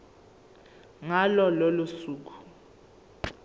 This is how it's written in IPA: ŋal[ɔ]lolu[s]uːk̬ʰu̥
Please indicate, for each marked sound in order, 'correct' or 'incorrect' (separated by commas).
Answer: correct, correct